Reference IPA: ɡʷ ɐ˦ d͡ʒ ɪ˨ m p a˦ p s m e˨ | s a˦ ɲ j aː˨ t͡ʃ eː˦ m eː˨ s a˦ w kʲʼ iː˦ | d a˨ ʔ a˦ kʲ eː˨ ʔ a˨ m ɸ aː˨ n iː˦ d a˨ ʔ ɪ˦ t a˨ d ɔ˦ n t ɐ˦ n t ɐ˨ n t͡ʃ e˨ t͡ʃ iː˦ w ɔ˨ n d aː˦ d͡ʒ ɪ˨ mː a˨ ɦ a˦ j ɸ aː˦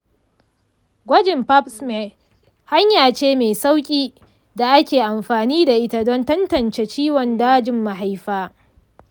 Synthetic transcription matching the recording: ɡʷ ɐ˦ d͡ʒ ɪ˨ m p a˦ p s m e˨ | h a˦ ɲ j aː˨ t͡ʃ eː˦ m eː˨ s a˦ w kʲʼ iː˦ | d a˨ ʔ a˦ kʲ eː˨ ʔ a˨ m ɸ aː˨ n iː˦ d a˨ ʔ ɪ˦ t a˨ d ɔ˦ n t ɐ˦ n t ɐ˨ n t͡ʃ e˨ t͡ʃ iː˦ w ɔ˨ n d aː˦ d͡ʒ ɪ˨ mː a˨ ɦ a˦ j ɸ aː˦